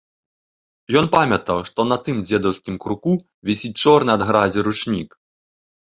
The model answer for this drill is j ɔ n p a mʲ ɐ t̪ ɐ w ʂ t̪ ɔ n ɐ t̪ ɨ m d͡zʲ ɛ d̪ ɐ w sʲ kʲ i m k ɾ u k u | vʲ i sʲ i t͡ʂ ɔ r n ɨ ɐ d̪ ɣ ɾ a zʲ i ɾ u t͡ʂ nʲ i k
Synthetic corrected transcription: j ɔ n p a mʲ ɐ t̪ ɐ w ʂ t̪ ɔ n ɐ t̪ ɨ m d͡zʲ ɛ d̪ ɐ w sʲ kʲ i m k ɾ u k u | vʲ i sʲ i t͡ʂ ɔ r n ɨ ɐ d̪ ɣ ɾ a zʲ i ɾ u t͡ʂ nʲ i k